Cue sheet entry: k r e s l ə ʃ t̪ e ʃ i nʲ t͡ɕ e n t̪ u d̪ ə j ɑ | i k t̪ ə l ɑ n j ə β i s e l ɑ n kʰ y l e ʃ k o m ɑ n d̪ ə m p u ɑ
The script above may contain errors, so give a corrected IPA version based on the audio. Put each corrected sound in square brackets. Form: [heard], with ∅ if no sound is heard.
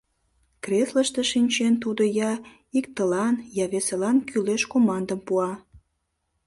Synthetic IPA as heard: k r e s l ə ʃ t̪ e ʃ i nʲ t͡ɕ e n t̪ u d̪ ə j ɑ | i k t̪ ə l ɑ n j [ɑ] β [e] s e l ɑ n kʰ y l e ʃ k o m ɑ n d̪ ə m p u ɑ